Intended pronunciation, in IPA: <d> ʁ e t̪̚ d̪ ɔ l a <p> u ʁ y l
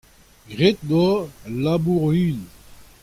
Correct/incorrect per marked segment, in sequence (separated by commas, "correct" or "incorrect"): incorrect, incorrect